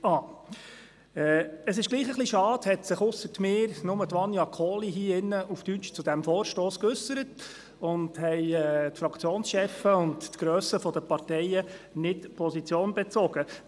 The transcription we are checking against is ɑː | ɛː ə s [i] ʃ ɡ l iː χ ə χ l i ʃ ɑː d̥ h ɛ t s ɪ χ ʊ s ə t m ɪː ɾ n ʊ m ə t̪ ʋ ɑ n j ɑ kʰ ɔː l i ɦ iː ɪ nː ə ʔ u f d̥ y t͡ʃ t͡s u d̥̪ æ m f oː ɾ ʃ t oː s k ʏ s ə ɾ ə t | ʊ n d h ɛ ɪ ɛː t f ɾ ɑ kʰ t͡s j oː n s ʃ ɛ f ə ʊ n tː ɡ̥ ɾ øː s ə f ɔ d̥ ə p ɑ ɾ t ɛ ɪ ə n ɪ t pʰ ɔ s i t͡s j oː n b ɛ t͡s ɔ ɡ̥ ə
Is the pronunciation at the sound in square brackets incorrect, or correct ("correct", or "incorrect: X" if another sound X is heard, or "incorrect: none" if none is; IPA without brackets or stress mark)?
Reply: incorrect: ɪ